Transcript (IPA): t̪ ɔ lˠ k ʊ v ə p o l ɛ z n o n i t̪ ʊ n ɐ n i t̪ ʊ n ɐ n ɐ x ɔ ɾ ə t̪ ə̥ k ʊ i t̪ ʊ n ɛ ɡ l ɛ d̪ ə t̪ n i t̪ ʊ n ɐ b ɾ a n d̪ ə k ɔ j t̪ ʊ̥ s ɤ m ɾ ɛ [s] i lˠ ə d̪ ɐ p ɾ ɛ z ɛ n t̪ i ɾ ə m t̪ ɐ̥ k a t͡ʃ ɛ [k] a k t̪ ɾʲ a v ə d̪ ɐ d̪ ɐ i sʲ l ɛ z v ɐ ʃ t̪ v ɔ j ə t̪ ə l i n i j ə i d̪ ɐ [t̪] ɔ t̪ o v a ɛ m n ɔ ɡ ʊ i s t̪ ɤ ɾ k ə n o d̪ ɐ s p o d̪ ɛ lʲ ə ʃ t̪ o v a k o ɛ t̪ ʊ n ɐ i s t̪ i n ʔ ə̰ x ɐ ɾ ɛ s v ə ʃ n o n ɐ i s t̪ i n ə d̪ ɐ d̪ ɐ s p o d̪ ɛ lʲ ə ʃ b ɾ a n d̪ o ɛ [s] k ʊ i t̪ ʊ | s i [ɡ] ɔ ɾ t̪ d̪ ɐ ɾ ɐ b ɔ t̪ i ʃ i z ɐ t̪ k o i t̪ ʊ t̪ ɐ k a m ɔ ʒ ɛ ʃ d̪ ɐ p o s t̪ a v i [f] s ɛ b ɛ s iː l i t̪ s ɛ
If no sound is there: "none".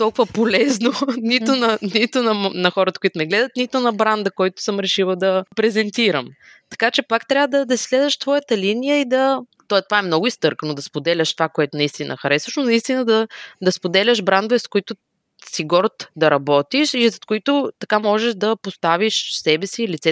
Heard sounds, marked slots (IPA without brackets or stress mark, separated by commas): ʃ, p, t̪, s, ɡ, ʃ